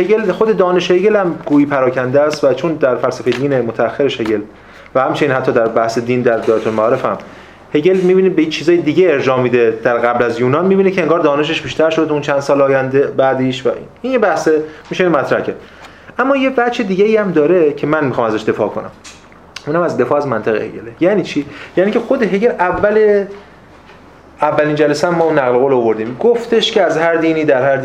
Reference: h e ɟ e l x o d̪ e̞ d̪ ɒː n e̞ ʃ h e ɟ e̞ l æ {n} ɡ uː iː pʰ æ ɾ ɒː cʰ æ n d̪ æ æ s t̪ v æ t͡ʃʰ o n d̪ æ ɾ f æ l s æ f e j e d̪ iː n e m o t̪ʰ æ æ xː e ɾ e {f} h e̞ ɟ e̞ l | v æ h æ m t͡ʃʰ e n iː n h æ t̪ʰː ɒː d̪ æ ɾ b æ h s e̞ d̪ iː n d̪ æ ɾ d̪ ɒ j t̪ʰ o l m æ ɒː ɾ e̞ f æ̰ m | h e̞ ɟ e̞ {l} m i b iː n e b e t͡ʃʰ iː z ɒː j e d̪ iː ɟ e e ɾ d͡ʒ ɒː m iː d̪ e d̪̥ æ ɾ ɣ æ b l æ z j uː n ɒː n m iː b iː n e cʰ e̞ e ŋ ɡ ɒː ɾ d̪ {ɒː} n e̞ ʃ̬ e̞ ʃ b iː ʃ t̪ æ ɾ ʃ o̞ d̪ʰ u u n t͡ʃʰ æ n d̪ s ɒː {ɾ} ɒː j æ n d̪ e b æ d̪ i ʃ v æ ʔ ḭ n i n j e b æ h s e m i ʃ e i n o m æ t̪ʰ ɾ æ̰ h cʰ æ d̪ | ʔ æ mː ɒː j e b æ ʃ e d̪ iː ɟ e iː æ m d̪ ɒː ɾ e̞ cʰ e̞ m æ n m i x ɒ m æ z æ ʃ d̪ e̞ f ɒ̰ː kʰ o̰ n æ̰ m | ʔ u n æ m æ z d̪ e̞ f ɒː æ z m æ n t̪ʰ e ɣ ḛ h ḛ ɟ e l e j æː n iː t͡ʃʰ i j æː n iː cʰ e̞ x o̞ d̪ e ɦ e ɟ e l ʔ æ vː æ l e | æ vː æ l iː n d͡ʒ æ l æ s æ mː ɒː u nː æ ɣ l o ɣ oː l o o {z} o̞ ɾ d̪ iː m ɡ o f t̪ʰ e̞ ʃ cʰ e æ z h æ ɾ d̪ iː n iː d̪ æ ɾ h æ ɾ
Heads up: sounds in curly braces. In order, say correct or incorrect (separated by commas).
incorrect, incorrect, correct, correct, incorrect, incorrect